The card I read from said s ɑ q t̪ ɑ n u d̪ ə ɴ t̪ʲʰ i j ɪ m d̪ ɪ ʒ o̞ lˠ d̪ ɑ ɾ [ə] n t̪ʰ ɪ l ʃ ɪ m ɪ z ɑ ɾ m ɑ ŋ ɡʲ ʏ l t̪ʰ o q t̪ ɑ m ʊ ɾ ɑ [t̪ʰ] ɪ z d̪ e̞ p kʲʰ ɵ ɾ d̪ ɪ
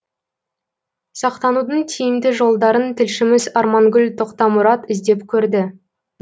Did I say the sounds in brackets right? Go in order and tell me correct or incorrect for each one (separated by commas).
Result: correct, incorrect